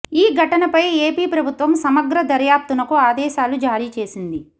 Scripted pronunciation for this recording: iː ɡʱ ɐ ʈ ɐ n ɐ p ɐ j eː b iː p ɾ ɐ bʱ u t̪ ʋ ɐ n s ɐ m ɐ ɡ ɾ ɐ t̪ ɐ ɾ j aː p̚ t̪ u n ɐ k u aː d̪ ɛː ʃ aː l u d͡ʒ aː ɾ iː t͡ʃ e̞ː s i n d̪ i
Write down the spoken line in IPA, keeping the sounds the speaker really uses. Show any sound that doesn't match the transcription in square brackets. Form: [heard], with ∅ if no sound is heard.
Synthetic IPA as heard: iː ɡʱ ɐ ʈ ɐ n ɐ p ɐ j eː [p] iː p ɾ ɐ bʱ u t̪ ʋ ɐ [m] s ɐ m ɐ ɡ ɾ ɐ [d̪] ɐ ɾ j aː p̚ t̪ u n ɐ k u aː d̪ ɛː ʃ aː l u d͡ʒ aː ɾ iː t͡ʃ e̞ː s i n d̪ i